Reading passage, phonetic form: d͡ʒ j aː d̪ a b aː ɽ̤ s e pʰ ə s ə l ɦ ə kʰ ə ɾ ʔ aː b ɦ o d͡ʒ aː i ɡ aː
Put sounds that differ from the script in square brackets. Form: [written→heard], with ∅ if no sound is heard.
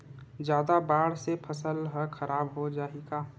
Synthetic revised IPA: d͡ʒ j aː d̪ a b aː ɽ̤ s e pʰ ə s ə l ɦ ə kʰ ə ɾ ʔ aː b ɦ o d͡ʒ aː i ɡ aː

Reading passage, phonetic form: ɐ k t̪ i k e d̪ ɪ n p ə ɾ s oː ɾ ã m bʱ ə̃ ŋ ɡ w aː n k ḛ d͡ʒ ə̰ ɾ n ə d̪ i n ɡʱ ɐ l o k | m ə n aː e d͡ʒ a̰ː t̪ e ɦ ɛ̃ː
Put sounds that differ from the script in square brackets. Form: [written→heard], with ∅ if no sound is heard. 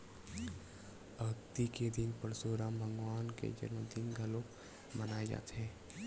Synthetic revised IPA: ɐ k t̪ i k e d̪ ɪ n p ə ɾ s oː ɾ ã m bʱ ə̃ ŋ ɡ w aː n k ḛ d͡ʒ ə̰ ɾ [n→m] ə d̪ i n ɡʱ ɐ l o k | m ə n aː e d͡ʒ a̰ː t̪ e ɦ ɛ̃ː

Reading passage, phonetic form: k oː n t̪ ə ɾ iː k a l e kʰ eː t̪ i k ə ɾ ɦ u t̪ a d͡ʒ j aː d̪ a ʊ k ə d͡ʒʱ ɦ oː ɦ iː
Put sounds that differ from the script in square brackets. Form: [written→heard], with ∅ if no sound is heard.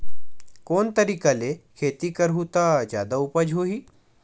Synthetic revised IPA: k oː n t̪ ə ɾ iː k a l e kʰ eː t̪ i k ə ɾ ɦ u t̪ a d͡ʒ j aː d̪ a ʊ [k→p] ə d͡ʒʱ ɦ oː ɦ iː

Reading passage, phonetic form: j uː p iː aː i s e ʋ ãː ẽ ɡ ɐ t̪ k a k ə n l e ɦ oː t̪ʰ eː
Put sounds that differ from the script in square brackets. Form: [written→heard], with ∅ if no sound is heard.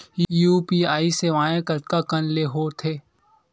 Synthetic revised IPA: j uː p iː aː i s e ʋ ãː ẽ [ɡ→k] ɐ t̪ k a k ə n l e ɦ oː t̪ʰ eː

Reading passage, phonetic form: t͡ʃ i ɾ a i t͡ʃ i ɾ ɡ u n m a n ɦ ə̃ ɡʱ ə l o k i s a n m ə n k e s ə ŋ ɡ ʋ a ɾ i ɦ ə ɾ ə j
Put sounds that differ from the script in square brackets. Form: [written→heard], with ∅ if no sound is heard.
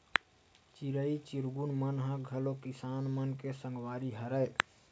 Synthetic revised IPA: t͡ʃ i ɾ [a→ə] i t͡ʃ i ɾ ɡ u n m [a→ə] n ɦ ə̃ ɡʱ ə l o k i s a n m ə n k e s ə ŋ ɡ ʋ a ɾ i ɦ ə ɾ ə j

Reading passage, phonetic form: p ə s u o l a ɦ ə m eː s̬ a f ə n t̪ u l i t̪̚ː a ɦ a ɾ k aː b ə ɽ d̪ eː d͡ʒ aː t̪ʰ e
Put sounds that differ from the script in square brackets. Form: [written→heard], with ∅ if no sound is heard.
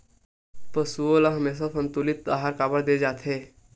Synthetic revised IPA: p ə s u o l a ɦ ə m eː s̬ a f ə n t̪ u l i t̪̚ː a ɦ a ɾ k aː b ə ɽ d̪ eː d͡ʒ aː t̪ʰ e

